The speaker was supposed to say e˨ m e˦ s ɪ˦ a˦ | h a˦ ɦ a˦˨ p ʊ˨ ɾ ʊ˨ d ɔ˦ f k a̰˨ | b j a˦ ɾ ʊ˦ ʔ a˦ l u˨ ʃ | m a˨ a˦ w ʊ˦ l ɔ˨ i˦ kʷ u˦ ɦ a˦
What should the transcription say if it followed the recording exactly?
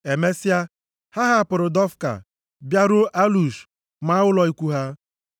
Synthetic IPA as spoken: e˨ m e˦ s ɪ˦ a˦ | h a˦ ɦ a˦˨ p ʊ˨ ɾ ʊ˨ d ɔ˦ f k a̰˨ | b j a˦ ɾ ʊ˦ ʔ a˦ l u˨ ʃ | m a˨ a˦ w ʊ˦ l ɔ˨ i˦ kʷ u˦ ɦ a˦